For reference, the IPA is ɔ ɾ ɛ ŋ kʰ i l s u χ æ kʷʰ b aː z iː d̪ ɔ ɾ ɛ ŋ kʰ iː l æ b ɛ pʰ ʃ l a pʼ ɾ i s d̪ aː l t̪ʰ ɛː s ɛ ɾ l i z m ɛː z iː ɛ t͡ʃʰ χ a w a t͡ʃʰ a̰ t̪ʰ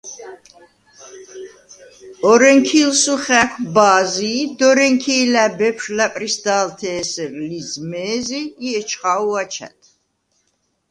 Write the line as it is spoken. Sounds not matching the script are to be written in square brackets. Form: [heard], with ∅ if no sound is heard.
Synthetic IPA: ɔ ɾ ɛ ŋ kʰ i l s u χ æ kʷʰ b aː z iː d̪ ɔ ɾ ɛ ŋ kʰ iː l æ b ɛ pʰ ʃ l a pʼ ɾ i s d̪ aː l t̪ʰ ɛː s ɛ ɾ l i z m ɛː z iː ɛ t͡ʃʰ χ a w a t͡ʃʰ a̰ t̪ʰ